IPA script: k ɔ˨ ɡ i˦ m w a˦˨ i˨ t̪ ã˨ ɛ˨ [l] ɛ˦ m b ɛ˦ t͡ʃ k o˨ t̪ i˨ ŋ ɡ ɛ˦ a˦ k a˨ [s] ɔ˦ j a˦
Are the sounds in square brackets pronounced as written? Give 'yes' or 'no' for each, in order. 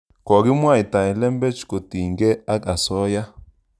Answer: yes, yes

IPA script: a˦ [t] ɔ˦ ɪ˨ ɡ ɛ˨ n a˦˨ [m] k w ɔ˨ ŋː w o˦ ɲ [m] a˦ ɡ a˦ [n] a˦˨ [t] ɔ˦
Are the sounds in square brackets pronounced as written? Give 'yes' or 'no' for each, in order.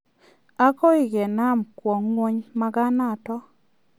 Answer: no, yes, yes, yes, yes

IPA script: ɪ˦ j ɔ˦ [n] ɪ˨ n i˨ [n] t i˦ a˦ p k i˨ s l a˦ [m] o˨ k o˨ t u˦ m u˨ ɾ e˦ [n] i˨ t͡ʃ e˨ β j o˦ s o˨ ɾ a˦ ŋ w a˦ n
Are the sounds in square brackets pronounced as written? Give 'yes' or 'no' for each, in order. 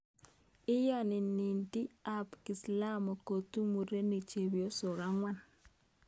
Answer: yes, yes, yes, yes

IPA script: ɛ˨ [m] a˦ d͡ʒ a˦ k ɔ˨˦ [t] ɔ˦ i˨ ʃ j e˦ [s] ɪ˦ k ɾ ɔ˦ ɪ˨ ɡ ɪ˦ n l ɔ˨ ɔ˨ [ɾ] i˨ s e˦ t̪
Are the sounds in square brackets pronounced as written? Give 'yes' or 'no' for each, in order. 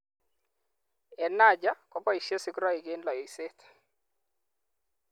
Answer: no, no, yes, no

